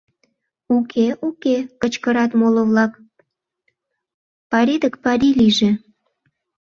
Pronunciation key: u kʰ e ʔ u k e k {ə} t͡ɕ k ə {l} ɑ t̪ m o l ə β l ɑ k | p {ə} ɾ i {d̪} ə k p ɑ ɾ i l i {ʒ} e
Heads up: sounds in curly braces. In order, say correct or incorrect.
correct, incorrect: ɾ, incorrect: ɑ, correct, correct

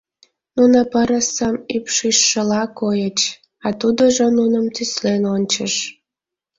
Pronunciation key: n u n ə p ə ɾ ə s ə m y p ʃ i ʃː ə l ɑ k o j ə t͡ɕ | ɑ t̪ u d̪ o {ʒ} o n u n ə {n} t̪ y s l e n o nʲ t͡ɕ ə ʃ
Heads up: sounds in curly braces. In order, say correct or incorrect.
correct, incorrect: m

